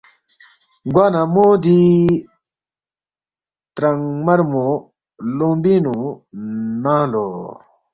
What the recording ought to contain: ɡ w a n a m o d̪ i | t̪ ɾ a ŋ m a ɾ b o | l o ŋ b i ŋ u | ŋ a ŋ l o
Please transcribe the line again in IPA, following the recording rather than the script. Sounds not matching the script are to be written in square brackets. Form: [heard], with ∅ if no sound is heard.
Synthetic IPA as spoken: ɡ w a n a m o d̪ i | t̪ ɾ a ŋ m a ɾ [m] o | l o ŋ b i [n] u | [n] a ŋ l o